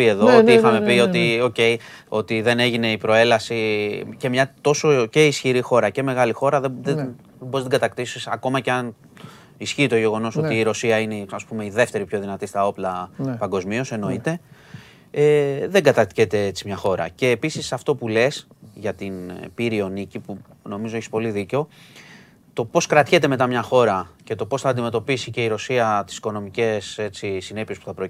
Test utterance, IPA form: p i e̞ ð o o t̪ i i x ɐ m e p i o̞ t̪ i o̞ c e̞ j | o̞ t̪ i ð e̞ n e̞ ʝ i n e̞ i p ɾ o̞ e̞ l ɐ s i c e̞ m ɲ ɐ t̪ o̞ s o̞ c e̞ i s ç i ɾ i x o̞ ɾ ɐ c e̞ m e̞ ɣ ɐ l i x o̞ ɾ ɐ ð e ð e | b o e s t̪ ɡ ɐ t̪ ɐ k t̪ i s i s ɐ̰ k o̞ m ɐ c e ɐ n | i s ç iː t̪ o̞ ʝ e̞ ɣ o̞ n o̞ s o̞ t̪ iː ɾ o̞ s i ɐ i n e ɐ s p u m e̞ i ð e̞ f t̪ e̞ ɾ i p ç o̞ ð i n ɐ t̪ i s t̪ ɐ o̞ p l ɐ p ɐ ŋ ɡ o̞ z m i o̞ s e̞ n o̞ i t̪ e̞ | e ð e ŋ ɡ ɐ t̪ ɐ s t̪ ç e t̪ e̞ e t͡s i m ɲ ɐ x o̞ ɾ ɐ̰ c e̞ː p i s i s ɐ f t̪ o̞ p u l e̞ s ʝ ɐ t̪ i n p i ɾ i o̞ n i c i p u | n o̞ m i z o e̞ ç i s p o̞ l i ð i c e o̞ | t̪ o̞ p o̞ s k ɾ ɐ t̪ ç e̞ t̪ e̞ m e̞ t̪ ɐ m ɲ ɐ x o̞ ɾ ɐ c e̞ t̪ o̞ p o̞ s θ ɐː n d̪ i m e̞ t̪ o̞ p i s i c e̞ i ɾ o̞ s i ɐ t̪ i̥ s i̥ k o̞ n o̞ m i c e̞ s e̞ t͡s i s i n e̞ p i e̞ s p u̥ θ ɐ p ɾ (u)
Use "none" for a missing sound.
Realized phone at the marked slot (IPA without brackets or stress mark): o